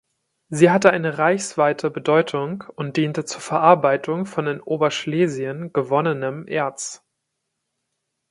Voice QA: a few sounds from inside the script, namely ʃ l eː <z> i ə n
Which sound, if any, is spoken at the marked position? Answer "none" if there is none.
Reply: z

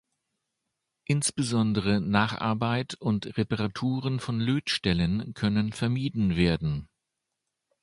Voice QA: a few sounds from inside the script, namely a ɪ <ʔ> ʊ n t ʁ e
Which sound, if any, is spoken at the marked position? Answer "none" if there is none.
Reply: t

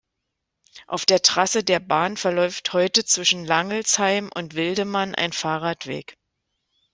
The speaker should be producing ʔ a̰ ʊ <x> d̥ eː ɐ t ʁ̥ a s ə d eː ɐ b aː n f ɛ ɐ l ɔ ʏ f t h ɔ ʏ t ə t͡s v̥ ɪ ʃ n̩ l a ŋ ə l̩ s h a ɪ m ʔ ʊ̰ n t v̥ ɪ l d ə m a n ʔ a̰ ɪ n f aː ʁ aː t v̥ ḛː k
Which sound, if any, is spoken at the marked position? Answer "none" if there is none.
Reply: f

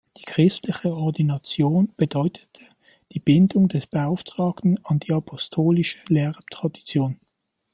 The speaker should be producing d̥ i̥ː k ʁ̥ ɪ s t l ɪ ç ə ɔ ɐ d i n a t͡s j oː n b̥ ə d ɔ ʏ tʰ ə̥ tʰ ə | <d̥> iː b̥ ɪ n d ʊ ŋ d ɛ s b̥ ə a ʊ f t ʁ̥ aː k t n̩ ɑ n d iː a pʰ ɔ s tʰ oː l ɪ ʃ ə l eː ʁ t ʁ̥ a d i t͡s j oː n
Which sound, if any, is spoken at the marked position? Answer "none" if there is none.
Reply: d̥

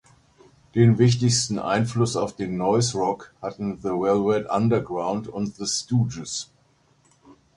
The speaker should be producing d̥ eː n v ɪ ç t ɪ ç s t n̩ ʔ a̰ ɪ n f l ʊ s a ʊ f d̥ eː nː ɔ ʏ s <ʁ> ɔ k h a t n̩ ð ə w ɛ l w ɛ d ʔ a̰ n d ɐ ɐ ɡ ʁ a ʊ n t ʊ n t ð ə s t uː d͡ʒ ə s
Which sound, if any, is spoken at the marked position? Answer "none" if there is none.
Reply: ʁ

